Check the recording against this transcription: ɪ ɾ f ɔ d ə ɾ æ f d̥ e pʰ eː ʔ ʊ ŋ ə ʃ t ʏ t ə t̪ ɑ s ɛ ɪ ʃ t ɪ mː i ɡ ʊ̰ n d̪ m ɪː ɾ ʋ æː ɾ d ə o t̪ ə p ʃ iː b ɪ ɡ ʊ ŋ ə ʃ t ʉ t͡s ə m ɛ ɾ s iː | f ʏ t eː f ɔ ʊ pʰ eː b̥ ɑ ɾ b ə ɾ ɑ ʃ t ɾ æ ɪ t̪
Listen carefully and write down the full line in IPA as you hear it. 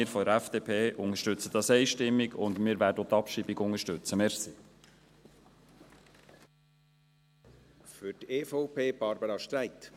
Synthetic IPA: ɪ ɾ f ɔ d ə ɾ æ f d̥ e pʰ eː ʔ ʊ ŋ ə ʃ t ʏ t͡s ə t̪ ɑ s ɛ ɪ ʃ t ɪ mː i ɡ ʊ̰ n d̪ m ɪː ɾ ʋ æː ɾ d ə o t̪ ɑ p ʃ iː b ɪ ɡ ʊ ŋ ə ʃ t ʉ t͡s ə m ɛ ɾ s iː | f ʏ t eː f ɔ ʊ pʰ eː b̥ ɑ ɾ b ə ɾ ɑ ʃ t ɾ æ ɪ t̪